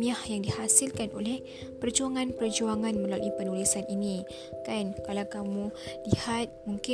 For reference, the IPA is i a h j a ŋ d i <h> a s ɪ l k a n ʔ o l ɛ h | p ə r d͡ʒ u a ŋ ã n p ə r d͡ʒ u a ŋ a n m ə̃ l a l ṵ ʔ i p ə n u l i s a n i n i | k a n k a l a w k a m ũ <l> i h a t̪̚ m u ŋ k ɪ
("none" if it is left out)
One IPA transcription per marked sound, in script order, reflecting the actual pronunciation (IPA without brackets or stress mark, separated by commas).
h, l